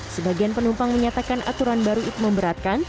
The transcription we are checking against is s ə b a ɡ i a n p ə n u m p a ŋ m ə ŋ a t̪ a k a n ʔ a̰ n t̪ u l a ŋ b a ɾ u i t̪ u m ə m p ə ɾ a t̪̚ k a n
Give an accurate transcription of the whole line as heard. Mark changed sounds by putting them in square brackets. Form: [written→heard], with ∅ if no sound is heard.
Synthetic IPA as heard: s ə b a ɡ i a n p ə n u m p a ŋ m ə [ŋ→ɲ] a t̪ a k a n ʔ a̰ [n→∅] t̪ u [l→ɾ] a [ŋ→n] b a ɾ u i t̪ u m ə m [p→b] ə ɾ a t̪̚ k a n